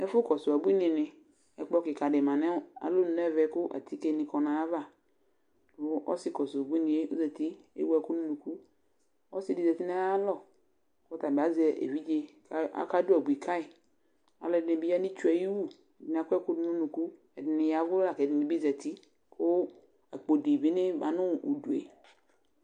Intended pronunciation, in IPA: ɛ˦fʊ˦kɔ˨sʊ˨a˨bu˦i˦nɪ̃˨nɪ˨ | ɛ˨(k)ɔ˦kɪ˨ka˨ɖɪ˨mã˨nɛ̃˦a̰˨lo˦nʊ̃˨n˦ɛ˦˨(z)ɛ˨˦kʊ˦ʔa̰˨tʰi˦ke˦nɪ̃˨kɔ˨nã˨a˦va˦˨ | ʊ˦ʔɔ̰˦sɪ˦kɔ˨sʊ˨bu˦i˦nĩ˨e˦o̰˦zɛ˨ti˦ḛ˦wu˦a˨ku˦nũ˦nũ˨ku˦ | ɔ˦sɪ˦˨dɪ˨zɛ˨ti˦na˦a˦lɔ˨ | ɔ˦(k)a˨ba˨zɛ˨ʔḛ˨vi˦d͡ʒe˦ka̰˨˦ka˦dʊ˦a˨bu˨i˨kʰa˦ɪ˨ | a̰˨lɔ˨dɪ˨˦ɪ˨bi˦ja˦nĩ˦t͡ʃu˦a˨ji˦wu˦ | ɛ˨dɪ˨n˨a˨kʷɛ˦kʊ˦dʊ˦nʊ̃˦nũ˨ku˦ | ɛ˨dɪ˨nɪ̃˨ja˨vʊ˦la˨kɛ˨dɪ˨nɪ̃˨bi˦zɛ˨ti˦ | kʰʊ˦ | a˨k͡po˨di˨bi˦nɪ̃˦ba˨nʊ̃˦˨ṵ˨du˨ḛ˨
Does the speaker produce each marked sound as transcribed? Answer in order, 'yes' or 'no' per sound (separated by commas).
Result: no, no, no